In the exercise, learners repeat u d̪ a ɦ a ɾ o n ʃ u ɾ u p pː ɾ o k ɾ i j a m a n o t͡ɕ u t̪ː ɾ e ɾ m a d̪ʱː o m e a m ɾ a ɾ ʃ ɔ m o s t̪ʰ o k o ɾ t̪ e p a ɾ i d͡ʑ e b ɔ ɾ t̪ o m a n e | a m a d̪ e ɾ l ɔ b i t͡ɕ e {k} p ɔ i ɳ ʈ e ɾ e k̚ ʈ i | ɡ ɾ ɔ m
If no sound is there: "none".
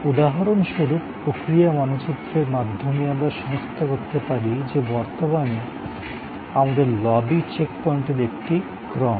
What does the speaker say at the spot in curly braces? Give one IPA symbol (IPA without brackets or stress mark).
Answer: k